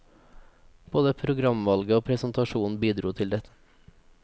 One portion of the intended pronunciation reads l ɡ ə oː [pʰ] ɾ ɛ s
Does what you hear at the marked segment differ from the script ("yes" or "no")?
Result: no